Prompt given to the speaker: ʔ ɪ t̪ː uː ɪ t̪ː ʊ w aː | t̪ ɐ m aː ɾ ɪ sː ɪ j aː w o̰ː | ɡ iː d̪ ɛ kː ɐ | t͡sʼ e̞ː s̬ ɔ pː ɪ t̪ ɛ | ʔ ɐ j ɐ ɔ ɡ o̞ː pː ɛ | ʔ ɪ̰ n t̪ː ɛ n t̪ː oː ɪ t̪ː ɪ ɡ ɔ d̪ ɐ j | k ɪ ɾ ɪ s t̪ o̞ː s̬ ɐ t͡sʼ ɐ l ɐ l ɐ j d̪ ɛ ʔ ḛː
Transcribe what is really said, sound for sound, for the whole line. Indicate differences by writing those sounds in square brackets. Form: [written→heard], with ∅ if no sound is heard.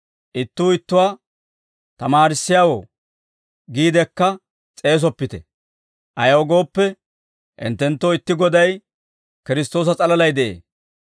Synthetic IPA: ʔ ɪ t̪ː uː ɪ t̪ː ʊ w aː | t̪ ɐ m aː ɾ ɪ sː ɪ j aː w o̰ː | ɡ iː d̪ ɛ kː ɐ | t͡sʼ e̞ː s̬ ɔ pː ɪ t̪ ɛ | ʔ ɐ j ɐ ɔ ɡ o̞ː pː ɛ | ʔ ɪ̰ n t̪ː ɛ n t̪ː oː ɪ t̪ː ɪ ɡ ɔ d̪ ɐ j | k ɪ ɾ ɪ s t̪ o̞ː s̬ ɐ t͡sʼ ɐ l ɐ l ɐ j d̪ ɛ ʔ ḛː